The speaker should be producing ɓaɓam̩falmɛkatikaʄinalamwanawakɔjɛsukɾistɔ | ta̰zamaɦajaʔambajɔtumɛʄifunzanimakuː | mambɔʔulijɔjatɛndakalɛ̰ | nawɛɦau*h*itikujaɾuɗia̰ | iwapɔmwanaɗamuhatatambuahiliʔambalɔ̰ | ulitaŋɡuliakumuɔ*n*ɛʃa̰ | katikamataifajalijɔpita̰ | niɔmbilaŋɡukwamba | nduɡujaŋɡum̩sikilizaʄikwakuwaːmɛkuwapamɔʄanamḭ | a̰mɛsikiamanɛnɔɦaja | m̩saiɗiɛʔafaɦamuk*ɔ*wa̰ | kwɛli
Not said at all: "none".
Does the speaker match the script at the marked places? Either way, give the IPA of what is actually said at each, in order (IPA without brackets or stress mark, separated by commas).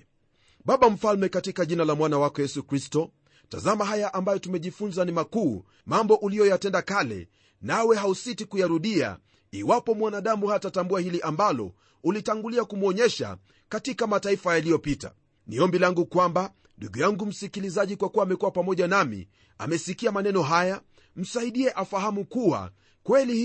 s, ɲ, u